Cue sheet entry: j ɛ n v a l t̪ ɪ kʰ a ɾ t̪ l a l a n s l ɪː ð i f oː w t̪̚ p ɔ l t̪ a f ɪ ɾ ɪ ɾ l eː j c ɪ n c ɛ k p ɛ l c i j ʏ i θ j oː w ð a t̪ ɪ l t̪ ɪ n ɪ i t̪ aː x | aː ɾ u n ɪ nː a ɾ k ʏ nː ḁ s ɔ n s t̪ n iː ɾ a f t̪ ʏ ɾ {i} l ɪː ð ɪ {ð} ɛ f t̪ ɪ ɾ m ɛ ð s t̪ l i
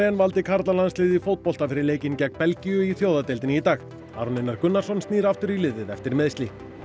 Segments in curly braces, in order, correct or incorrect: correct, correct

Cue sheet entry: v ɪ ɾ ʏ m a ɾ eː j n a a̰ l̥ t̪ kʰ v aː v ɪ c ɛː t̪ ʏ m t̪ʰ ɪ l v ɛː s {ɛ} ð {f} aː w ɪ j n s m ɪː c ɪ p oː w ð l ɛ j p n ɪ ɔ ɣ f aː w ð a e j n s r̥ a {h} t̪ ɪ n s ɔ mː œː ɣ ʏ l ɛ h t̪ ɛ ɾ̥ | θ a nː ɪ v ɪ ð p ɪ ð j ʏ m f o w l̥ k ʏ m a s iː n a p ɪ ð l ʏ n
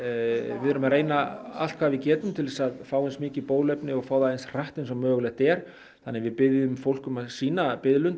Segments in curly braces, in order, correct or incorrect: incorrect, correct, correct

